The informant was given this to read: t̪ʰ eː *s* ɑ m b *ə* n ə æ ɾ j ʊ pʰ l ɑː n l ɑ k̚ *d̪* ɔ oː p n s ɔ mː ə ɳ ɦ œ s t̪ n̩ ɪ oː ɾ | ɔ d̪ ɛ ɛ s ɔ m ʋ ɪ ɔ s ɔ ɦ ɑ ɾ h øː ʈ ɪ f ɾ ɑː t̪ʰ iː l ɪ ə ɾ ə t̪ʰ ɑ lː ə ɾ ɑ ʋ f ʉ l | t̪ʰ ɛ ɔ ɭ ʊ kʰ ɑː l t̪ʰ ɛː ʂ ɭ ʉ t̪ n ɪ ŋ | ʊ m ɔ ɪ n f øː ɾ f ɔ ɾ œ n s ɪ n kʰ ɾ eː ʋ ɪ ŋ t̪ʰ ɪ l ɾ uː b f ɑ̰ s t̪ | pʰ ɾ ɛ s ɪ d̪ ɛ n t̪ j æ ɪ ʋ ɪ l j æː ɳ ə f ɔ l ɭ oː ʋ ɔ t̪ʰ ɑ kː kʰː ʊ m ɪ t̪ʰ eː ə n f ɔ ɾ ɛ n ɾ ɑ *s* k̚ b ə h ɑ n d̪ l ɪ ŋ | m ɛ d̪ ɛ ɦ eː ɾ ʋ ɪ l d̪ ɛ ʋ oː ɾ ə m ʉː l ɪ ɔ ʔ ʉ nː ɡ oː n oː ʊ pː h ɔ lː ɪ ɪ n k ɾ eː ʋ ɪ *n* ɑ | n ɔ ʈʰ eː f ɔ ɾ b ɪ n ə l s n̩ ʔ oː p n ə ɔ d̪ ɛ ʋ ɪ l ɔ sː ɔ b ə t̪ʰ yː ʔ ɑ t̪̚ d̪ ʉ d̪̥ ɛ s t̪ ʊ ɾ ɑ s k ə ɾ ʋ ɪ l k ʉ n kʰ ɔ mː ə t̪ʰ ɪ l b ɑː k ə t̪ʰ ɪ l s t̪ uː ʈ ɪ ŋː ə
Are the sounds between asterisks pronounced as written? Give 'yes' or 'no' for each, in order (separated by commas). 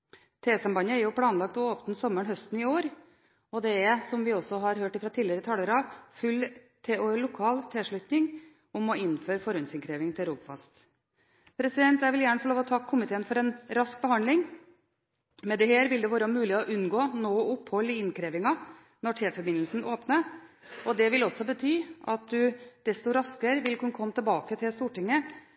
yes, no, no, yes, no